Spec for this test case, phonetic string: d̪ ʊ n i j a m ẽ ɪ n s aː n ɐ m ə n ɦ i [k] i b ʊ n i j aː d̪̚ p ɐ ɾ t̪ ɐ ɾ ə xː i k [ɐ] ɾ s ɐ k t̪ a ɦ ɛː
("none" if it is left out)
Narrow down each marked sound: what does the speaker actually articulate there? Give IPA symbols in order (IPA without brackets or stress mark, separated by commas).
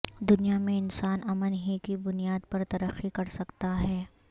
k, ɐ